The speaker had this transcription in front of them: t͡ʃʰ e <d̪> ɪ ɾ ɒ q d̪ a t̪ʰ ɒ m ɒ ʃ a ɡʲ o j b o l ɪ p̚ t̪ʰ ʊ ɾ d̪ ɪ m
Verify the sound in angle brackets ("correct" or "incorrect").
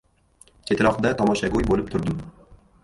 incorrect